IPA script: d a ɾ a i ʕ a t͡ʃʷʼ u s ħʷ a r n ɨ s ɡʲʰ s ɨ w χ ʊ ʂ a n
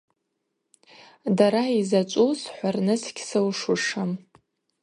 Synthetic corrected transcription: d a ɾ a i z a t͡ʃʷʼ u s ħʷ a r n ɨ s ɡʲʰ s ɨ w ʂ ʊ ʂ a m